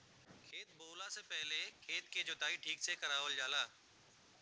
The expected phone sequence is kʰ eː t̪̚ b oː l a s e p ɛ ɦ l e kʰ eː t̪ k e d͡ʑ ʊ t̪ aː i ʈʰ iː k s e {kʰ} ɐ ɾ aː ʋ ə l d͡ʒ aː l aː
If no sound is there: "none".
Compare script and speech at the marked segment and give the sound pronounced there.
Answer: k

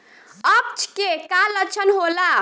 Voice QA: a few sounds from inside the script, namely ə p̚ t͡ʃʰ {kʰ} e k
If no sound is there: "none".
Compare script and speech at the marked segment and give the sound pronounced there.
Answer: k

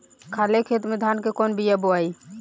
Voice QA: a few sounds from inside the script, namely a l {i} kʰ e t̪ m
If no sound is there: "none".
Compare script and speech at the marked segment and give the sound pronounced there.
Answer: e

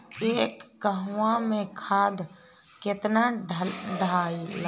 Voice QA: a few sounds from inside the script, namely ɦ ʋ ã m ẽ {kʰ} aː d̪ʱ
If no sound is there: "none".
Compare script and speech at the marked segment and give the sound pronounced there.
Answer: kʰ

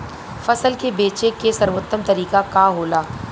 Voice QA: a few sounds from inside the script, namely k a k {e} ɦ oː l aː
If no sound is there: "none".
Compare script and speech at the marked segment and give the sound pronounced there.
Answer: a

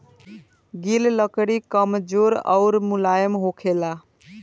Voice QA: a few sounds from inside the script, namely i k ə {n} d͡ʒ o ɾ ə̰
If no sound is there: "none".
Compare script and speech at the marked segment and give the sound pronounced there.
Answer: m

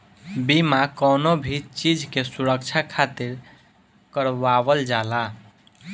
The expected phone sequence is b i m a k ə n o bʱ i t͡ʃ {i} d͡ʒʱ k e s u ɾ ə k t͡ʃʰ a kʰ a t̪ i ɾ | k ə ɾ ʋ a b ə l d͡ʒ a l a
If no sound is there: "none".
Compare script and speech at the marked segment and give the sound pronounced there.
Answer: i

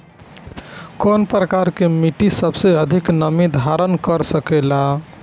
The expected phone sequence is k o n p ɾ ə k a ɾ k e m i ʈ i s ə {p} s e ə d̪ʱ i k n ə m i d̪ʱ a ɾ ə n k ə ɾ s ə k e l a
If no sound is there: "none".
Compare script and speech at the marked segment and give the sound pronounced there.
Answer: b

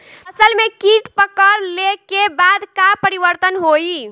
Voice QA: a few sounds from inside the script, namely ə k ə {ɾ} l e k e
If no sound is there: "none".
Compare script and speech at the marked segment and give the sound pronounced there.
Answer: ɾ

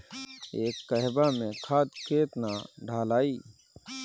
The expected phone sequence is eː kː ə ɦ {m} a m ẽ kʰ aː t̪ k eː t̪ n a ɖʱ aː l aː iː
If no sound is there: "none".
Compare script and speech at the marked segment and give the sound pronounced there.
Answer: b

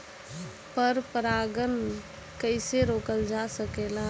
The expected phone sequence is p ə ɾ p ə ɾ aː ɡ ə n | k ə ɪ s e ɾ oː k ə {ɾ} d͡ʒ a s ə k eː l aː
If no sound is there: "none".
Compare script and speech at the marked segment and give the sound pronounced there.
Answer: l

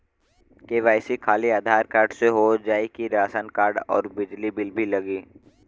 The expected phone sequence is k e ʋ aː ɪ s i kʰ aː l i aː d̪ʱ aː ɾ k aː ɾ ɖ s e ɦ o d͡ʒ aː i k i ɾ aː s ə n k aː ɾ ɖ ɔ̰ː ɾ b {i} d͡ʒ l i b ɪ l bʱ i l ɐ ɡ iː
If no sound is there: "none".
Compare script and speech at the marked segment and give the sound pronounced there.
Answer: ɪ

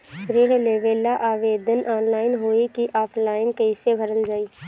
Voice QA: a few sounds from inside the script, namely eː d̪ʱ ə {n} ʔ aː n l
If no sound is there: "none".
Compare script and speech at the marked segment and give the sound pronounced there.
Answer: n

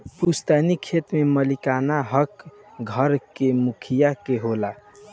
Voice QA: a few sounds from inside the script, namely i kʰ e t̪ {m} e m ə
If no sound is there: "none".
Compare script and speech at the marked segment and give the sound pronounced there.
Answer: m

